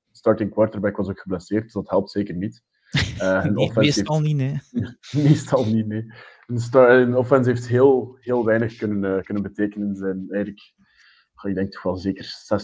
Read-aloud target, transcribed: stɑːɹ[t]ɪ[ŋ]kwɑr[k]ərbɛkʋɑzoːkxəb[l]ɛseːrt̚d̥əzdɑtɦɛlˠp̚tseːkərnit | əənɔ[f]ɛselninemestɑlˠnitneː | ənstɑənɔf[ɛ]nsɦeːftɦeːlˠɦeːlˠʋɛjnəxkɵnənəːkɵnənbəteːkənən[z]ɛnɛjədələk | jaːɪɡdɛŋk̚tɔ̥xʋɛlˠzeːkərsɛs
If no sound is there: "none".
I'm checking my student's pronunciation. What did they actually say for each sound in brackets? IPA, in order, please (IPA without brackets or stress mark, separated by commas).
t, ŋ, t, l, f, ɛ, z